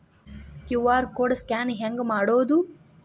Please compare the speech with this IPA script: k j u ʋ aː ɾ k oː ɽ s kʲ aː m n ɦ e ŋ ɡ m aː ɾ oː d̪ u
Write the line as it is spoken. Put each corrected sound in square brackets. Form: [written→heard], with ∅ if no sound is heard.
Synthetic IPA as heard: k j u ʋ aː ɾ k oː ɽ s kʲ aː [m→∅] n ɦ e ŋ ɡ m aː [ɾ→ɽ] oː d̪ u